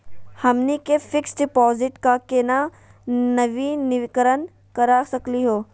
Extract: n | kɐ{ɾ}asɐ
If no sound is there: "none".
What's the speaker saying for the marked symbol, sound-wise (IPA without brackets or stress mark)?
ɾ